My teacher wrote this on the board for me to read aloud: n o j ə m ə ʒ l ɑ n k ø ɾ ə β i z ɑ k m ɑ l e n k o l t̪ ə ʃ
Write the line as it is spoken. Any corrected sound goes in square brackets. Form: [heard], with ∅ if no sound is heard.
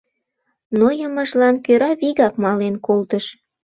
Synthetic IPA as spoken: n o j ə m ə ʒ l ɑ n k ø ɾ [ɑ] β i [ɣ] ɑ k m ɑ l e n k o l t̪ ə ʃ